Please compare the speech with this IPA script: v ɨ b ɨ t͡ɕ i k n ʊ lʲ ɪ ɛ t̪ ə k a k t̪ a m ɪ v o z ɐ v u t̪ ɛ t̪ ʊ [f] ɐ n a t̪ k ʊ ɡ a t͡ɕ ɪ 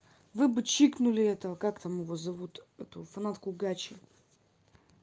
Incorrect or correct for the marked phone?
correct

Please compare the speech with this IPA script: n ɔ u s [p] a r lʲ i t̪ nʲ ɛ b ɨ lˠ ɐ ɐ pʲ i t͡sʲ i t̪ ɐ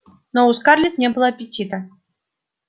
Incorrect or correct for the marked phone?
incorrect: k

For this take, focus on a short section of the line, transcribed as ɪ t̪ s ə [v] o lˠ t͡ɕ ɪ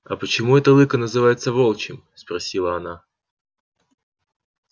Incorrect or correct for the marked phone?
correct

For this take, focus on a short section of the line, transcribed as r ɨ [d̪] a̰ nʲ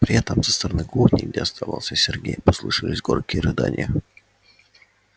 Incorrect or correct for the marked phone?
correct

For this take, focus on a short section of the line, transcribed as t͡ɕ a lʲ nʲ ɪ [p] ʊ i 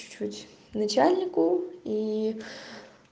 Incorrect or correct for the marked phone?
incorrect: k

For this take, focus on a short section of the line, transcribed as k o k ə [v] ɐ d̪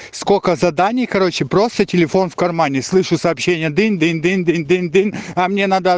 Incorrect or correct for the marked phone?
incorrect: z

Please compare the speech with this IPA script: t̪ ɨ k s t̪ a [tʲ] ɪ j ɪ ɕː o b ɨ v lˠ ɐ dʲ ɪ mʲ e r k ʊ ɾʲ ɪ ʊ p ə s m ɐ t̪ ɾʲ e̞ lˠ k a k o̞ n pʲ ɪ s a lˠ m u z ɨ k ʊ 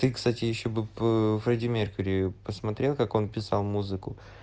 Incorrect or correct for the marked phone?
correct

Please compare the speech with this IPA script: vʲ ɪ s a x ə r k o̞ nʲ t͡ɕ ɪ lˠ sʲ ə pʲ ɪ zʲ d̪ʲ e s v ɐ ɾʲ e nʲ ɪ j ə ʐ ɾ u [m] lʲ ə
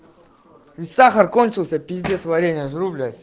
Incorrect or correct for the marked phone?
incorrect: b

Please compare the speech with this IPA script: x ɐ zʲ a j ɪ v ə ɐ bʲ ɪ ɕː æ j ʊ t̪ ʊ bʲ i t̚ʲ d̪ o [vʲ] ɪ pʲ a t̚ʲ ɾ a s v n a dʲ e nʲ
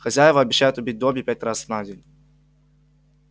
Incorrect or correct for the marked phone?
incorrect: bʲ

